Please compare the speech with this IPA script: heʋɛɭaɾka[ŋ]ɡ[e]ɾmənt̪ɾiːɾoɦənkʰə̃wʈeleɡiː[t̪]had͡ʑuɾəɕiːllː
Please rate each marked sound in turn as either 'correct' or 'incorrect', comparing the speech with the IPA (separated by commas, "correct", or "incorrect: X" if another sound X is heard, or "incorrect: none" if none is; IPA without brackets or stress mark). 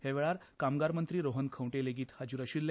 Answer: incorrect: m, incorrect: a, correct